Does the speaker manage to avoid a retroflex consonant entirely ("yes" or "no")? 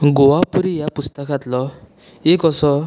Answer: yes